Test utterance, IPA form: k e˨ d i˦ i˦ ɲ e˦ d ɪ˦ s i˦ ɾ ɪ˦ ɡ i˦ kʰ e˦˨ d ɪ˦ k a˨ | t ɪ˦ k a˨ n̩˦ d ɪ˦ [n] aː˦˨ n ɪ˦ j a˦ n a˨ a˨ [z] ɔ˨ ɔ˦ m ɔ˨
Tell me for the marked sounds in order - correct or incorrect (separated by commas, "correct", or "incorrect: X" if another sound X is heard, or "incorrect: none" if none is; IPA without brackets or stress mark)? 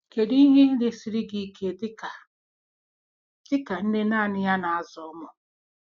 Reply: correct, correct